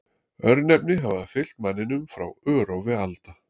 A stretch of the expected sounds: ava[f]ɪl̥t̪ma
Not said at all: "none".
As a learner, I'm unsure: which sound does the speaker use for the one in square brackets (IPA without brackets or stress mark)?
f